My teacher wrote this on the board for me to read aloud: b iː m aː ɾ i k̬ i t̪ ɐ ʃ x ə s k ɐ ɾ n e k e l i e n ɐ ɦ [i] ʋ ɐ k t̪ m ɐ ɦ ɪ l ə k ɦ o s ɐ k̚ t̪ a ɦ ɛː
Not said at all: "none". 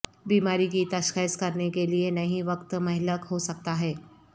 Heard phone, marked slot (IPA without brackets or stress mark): ĩ